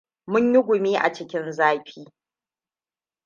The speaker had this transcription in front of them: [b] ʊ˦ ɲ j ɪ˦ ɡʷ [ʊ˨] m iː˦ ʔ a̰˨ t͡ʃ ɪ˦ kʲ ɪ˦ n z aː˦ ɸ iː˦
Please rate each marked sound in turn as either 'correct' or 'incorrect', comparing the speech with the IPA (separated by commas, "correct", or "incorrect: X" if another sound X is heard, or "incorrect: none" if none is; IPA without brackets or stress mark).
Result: incorrect: m, correct